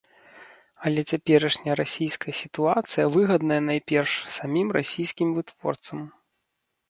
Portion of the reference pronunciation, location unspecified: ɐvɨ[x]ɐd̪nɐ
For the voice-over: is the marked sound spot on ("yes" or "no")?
no